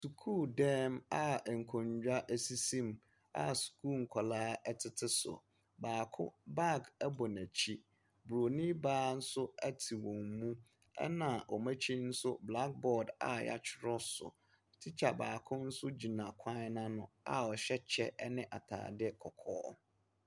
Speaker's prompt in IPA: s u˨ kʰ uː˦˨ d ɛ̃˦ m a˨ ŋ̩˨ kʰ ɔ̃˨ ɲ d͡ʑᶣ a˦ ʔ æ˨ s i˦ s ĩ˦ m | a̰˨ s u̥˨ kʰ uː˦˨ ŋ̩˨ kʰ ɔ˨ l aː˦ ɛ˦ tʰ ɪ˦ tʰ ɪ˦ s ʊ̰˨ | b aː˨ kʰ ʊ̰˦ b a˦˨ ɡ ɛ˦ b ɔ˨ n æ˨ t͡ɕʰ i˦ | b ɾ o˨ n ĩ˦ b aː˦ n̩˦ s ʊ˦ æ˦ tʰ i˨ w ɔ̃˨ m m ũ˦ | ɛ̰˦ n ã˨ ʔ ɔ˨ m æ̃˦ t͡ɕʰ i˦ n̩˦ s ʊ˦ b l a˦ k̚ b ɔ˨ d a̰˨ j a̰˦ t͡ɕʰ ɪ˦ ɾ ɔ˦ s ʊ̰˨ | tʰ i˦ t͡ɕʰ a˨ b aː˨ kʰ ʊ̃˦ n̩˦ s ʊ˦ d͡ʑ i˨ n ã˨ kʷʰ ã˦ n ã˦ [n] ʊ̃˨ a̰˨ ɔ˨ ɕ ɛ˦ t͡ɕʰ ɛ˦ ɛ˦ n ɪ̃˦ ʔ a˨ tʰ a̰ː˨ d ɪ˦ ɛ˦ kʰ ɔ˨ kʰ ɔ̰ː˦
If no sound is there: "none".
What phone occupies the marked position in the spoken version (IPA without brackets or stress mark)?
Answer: n